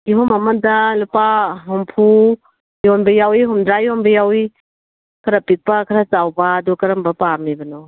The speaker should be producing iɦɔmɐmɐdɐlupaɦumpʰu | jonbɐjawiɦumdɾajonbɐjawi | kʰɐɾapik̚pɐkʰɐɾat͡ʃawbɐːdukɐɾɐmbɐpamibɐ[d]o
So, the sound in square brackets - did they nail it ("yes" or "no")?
no